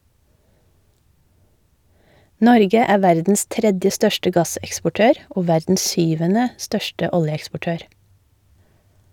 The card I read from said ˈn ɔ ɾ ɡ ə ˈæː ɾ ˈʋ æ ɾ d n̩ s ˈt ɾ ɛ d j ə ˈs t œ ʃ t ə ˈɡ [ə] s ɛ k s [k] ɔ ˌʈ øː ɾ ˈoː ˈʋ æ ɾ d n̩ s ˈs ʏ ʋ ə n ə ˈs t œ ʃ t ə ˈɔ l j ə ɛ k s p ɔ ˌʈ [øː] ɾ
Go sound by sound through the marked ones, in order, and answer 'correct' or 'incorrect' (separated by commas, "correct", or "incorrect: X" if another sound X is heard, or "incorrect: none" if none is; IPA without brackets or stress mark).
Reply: incorrect: ɑ, incorrect: p, correct